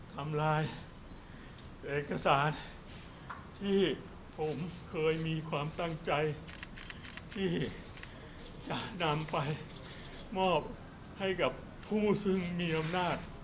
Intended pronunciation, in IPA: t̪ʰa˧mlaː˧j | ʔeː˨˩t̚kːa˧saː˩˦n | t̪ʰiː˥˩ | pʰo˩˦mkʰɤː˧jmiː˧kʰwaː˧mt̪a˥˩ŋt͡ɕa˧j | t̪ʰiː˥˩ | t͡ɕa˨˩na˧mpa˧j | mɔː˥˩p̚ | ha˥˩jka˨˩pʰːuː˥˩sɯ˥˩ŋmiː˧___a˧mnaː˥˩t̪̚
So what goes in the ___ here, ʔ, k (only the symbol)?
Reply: ʔ